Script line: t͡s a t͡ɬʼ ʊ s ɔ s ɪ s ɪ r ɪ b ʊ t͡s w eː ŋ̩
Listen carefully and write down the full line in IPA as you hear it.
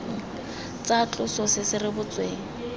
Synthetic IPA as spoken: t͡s a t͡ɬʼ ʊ s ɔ s ɪ s ɪ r ɪ b ʊ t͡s w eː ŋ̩